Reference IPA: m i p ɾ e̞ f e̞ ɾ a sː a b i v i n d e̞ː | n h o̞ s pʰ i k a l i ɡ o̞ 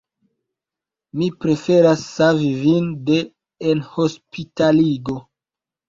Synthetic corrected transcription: m i p ɾ e̞ f e̞ ɾ a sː a v i v i n d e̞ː | n h o̞ s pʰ i t a l i ɡ o̞